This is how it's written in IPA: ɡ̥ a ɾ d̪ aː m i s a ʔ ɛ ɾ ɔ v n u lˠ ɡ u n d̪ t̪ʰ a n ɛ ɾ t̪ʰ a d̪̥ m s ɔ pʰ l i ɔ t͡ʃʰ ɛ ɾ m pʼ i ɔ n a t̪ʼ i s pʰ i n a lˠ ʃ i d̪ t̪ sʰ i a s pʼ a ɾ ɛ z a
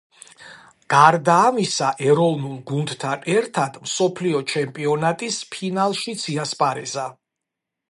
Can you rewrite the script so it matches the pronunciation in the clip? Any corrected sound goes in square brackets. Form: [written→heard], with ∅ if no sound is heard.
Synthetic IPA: ɡ̥ a ɾ d̪ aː m i s a ʔ ɛ ɾ ɔ v n u lˠ ɡ u n d̪ t̪ʰ a n ɛ ɾ t̪ʰ a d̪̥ m s ɔ pʰ l i ɔ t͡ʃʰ ɛ [ɾ→∅] m pʼ i ɔ n a t̪ʼ i s pʰ i n a lˠ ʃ i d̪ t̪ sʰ i a s pʼ a ɾ ɛ z a